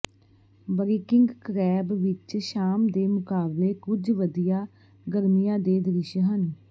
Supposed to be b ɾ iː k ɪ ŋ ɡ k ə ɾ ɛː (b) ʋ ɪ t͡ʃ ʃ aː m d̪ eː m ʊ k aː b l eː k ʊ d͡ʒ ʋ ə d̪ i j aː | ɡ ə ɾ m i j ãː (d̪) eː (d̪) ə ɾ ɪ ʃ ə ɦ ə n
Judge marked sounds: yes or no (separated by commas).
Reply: yes, yes, yes